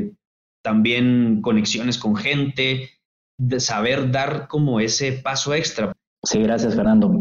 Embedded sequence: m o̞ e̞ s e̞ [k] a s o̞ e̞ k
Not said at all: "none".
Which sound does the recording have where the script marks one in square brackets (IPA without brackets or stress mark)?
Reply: p